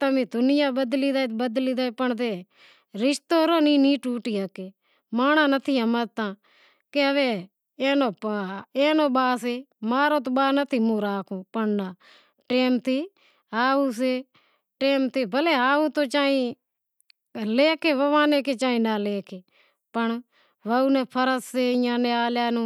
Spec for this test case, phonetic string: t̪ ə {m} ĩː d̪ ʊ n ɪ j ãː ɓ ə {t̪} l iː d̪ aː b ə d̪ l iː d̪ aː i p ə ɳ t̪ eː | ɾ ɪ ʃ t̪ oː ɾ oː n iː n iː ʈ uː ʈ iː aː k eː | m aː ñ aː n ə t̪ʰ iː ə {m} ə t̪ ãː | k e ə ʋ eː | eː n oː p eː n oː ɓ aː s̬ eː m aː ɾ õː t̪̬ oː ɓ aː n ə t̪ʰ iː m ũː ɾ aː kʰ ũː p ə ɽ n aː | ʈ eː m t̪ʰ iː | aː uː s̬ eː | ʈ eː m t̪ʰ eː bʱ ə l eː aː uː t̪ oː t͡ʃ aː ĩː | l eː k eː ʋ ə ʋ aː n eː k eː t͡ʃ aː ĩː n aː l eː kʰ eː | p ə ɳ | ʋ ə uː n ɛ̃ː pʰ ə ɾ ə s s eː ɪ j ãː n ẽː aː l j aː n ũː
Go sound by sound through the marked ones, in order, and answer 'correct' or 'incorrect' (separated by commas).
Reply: correct, incorrect, correct